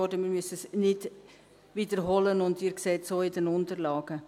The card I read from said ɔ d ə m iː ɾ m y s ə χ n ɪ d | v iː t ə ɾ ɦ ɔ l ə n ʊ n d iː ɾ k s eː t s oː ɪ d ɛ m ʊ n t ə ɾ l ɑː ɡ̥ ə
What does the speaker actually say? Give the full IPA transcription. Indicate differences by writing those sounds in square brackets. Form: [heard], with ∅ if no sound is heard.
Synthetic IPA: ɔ d ə m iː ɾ m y s ə [s] n ɪ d | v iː [d] ə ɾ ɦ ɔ l ə n ʊ n d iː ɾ k s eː t s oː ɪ d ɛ [n] ʊ n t ə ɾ l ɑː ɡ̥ ə